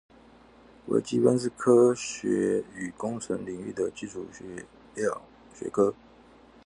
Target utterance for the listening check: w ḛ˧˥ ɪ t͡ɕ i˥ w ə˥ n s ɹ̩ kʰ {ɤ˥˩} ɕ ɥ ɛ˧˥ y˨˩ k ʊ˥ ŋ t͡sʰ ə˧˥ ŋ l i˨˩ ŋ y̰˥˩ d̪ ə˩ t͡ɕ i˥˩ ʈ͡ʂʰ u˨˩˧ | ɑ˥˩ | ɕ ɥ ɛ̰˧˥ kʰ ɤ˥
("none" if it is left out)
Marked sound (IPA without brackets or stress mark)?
ɤ˥